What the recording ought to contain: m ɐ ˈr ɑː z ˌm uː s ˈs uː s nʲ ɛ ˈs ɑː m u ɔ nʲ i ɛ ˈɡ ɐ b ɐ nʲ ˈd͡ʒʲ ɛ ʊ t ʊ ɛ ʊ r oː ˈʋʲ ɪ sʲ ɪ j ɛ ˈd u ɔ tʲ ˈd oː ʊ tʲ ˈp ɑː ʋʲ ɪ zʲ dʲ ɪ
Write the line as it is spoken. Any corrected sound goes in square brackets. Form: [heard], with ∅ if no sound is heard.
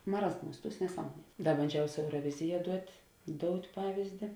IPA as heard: m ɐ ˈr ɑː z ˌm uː s [ˈt] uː s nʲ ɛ ˈs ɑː m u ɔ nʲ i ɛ [ˈd] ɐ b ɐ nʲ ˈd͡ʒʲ ɛ ʊ [s] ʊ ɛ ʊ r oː ˈʋʲ ɪ [zʲ] ɪ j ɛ ˈd u ɔ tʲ ˈd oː ʊ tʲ ˈp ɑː ʋʲ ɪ zʲ dʲ ɪ

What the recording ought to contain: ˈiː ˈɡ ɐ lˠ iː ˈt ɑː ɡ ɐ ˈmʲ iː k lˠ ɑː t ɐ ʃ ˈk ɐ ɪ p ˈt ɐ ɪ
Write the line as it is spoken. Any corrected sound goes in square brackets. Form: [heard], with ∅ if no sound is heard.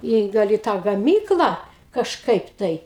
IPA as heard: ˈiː ˈɡ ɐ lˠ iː ˈt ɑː ɡ ɐ ˈmʲ iː k lˠ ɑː [k] ɐ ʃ ˈk ɐ ɪ p ˈt ɐ ɪ

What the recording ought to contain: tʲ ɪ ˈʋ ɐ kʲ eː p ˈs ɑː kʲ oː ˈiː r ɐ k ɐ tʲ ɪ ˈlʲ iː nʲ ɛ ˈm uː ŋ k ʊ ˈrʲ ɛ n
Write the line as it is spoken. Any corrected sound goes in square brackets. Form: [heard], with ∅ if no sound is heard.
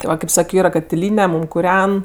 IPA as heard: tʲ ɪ ˈʋ ɐ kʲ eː p ˈs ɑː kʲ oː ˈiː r ɐ k ɐ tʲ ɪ ˈlʲ iː nʲ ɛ ˈm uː [m] k ʊ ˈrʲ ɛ n

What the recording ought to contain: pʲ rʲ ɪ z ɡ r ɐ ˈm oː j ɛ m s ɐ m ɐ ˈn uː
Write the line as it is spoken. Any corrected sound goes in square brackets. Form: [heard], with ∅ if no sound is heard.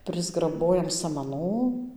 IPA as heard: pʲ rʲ ɪ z ɡ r ɐ [ˈb] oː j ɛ m s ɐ m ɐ ˈn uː

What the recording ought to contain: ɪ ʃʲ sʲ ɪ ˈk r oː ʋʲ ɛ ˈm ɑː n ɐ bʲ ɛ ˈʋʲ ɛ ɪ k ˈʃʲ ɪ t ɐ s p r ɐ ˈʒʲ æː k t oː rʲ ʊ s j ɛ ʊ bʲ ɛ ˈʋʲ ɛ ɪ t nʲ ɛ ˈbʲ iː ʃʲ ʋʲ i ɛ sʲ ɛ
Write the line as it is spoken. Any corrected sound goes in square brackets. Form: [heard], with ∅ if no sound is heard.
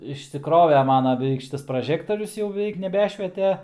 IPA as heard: ɪ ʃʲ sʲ ɪ ˈk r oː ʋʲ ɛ ˈm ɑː n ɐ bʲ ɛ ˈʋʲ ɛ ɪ k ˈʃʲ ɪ t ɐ s p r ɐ ˈʒʲ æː k t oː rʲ ʊ s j ɛ ʊ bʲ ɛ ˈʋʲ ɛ ɪ [k] nʲ ɛ ˈbʲ [æː] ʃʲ ʋʲ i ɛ [tʲ] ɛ

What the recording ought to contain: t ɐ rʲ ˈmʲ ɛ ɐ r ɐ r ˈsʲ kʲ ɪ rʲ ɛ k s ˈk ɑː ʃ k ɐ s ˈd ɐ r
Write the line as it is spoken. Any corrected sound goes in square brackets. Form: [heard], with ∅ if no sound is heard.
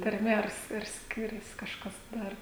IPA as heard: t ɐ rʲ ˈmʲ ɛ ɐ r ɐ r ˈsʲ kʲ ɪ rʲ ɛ [∅] s ˈk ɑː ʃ k ɐ s ˈd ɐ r

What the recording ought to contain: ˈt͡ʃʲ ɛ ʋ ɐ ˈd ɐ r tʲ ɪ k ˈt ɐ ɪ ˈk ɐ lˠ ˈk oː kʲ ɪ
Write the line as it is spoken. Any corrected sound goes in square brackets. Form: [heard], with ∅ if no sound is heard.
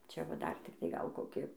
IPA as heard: ˈt͡ʃʲ ɛ ʋ ɐ ˈd ɐ r tʲ ɪ k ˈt ɐ ɪ [ˈɡ] ɐ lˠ ˈk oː kʲ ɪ

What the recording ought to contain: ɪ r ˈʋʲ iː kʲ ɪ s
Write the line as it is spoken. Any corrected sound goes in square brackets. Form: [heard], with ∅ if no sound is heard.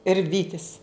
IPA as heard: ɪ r ˈʋʲ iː [tʲ] ɪ s

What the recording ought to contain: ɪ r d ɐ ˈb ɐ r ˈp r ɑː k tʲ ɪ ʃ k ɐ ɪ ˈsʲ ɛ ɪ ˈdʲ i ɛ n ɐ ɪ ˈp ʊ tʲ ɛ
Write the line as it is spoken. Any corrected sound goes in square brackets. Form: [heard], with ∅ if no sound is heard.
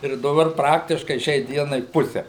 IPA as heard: ɪ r d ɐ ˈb ɐ r ˈp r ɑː k tʲ ɪ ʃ k ɐ ɪ [ˈʃʲ] ɛ ɪ ˈdʲ i ɛ n ɐ ɪ ˈp ʊ [sʲ] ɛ

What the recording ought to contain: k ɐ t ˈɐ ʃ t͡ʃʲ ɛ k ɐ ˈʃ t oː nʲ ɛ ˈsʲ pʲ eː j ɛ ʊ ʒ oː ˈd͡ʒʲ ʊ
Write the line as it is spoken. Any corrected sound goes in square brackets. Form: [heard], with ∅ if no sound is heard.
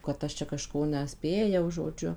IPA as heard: k ɐ t ˈɐ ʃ t͡ʃʲ ɛ k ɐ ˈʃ [k] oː nʲ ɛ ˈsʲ pʲ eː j ɛ ʊ ʒ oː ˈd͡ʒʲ ʊ

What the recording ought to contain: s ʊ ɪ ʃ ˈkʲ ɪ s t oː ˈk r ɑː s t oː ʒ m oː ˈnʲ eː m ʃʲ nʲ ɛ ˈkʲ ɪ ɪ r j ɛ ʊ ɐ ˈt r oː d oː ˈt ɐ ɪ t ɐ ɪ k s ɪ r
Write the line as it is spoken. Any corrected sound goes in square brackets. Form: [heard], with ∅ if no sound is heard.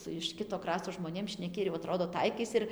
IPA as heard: s ʊ ɪ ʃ ˈkʲ ɪ [∅] t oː ˈk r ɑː s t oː ʒ m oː ˈnʲ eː m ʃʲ nʲ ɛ ˈkʲ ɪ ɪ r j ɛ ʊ ɐ ˈt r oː d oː ˈt ɐ ɪ [k] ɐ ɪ [∅] s ɪ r

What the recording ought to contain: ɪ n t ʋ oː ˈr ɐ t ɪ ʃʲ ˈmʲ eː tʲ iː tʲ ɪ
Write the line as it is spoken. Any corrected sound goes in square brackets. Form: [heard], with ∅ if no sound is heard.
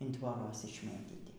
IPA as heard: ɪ n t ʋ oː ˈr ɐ [s] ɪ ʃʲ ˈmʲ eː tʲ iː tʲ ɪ

